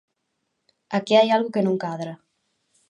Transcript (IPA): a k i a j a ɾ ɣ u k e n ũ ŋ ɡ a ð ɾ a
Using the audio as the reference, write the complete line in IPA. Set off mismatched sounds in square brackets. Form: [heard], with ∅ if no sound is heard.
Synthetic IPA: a k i a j a [l] ɣ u k e n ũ ŋ [k] a ð ɾ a